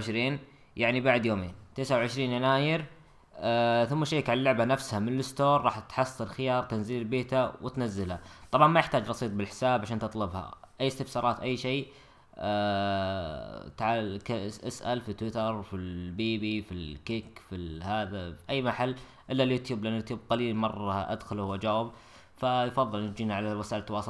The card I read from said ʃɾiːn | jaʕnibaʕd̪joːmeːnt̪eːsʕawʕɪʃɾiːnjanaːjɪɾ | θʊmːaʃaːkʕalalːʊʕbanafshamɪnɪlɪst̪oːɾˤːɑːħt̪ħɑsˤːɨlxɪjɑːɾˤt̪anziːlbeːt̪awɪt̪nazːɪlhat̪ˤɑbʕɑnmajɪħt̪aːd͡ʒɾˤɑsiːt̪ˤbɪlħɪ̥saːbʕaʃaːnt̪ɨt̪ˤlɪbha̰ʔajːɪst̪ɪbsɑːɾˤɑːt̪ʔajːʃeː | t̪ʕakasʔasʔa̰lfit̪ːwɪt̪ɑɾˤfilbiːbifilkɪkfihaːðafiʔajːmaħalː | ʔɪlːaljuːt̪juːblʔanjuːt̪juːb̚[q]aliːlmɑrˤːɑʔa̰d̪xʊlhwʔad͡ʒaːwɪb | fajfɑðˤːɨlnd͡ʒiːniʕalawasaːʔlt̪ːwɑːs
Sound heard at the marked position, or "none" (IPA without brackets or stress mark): q